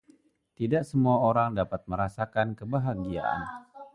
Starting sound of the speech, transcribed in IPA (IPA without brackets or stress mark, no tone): t̪